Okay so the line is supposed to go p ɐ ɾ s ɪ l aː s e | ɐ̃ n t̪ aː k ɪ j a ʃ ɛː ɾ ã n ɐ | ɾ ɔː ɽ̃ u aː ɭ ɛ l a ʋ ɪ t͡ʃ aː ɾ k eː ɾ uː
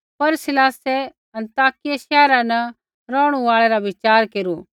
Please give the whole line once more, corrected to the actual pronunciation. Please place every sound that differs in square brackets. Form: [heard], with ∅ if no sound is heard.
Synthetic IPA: p ɐ ɾ s ɪ l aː s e | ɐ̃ n t̪ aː k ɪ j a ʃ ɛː ɾ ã n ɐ | ɾ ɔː ɽ̃ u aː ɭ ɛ [ɾ] a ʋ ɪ t͡ʃ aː ɾ k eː ɾ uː

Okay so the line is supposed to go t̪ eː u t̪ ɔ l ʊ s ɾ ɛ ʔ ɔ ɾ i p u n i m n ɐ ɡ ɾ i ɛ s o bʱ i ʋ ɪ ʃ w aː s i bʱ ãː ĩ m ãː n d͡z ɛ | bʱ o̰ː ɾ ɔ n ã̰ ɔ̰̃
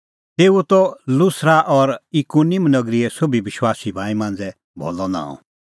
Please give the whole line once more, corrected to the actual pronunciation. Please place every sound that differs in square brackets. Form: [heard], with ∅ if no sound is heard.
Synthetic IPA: t̪ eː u t̪ ɔ l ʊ s ɾ [a] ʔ ɔ ɾ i [k] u n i m n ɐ ɡ ɾ i ɛ s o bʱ i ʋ ɪ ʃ w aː s i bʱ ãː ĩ m ãː n d͡z ɛ | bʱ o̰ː [l] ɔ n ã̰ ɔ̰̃

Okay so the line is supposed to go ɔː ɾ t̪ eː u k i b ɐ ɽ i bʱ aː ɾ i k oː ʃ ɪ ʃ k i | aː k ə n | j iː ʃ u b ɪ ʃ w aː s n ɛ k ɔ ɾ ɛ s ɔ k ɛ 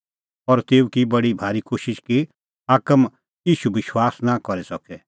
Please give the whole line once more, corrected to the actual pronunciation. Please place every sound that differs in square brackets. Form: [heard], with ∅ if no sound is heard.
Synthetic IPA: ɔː ɾ t̪ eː u k i b ɐ ɽ i bʱ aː ɾ i k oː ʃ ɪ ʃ k i | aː k ə [m] | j iː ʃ u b ɪ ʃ w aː s n [a] k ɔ ɾ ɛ s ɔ k ɛ

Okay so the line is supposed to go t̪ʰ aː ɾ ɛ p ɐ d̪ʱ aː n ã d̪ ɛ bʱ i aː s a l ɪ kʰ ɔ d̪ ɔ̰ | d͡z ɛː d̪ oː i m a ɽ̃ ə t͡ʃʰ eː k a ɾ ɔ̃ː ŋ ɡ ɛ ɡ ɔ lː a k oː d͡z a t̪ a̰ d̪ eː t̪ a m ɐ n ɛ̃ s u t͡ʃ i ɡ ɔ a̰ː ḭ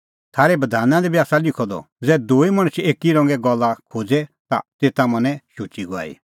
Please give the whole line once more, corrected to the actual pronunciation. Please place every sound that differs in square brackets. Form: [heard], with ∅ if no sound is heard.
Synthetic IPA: t̪ʰ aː ɾ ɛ [b] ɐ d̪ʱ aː n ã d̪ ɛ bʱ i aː s a l ɪ kʰ ɔ d̪ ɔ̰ | d͡z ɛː d̪ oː i m [ɐ] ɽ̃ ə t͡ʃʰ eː k [i] ɾ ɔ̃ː ŋ ɡ ɛ ɡ ɔ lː a [kʰ] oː d͡z [ɛ] t̪ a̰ [t̪] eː t̪ a m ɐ n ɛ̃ [ʃ] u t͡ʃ i ɡ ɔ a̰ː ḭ

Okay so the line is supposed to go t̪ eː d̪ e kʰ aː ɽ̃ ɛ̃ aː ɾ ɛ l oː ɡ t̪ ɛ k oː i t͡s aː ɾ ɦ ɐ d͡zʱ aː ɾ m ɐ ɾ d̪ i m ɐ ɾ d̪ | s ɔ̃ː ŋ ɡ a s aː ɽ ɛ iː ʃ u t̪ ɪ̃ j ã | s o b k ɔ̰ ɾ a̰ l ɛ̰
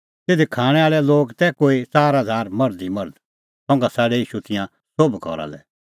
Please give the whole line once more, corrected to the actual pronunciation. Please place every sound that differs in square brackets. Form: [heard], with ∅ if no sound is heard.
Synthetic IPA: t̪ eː d̪ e kʰ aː ɽ̃ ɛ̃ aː [ɭ] ɛ l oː ɡ t̪ ɛ k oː i t͡s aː ɾ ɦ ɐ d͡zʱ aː ɾ m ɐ ɾ d̪ i m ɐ ɾ d̪ | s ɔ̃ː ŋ ɡ a s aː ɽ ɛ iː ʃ u t̪ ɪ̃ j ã | s o b k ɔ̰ ɾ a̰ l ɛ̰

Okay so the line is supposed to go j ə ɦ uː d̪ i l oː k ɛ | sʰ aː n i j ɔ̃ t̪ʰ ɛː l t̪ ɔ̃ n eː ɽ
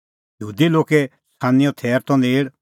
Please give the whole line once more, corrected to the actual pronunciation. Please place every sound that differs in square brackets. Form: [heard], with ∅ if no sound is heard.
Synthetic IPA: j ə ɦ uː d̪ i l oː k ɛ | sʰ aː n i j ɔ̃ t̪ʰ ɛː [ɾ] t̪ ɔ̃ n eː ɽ

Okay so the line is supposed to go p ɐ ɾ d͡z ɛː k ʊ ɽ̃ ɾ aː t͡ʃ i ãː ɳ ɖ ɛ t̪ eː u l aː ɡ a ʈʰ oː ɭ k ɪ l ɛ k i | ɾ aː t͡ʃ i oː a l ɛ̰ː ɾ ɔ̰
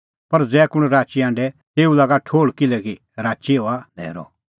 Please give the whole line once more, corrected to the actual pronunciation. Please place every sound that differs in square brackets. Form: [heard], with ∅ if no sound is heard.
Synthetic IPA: p ɐ ɾ d͡z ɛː k ʊ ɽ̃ ɾ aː t͡ʃ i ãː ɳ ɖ ɛ t̪ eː u l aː ɡ a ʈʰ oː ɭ k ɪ l ɛ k i | ɾ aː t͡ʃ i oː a l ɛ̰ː ɾ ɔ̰

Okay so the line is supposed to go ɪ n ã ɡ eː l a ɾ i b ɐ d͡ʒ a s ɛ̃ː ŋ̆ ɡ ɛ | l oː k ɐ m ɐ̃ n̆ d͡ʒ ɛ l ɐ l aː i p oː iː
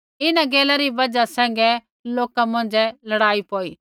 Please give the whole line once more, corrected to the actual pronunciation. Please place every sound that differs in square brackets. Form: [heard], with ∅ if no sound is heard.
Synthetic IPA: ɪ n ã ɡ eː l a ɾ i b ɐ d͡ʒ a s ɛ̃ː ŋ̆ ɡ ɛ | l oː k [a] m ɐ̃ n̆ d͡ʒ ɛ l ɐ [ɽ] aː i p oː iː

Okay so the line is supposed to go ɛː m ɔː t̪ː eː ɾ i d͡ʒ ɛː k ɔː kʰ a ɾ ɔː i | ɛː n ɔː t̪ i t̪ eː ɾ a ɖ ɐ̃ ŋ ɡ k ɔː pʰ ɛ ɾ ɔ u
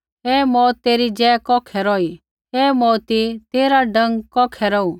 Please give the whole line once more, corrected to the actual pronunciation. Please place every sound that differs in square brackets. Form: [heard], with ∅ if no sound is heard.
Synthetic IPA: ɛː m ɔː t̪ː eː ɾ i d͡ʒ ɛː k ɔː kʰ [ɛ] ɾ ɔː i | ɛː [m] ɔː t̪ i t̪ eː ɾ a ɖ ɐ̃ ŋ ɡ k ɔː [kʰ] ɛ ɾ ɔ u

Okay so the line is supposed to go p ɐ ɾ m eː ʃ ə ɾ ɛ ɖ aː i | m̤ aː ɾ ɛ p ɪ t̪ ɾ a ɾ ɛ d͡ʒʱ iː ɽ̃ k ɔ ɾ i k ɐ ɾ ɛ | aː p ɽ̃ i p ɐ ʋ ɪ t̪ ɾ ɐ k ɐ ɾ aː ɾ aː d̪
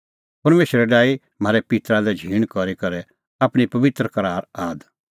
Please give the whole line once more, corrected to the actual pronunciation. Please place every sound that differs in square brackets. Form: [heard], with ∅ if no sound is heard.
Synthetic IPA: p ɐ ɾ m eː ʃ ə ɾ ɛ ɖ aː i | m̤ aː ɾ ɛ p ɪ t̪ ɾ a [l] ɛ d͡ʒʱ iː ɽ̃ k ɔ ɾ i k ɐ ɾ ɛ | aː p ɽ̃ i p ɐ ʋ ɪ t̪ ɾ [ə] k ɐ ɾ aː ɾ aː d̪

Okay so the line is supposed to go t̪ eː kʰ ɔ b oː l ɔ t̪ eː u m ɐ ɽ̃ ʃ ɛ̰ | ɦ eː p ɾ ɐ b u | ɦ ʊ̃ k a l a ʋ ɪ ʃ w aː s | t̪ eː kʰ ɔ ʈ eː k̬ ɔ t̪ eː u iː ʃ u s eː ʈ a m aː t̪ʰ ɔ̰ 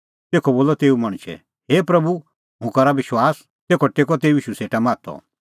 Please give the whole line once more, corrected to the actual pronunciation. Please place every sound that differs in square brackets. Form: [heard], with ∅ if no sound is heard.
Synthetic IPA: t̪ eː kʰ ɔ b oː l ɔ t̪ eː u m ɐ ɽ̃ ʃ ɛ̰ | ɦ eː p ɾ ɐ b u | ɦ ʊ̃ k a [ɾ] a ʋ ɪ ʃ w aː s | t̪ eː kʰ ɔ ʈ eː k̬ ɔ t̪ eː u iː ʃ u s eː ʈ a m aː t̪ʰ ɔ̰

